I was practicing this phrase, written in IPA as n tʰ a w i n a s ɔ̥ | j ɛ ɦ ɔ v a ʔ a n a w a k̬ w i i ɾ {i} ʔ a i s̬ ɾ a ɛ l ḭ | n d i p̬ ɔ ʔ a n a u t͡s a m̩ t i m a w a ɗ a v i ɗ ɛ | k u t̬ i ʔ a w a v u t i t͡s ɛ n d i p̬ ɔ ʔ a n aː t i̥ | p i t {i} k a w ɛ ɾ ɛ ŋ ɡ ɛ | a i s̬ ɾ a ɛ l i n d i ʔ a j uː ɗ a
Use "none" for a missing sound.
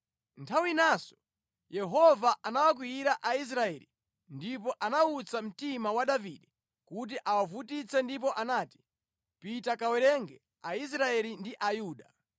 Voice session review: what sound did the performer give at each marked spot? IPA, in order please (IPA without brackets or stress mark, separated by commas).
a, a